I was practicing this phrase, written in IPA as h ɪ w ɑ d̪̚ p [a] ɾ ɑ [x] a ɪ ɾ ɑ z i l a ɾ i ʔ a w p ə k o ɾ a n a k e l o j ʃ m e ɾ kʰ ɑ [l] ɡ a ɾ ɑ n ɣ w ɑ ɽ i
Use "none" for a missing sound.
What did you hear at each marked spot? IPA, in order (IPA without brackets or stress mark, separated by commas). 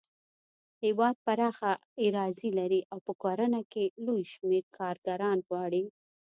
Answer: a, x, ɾ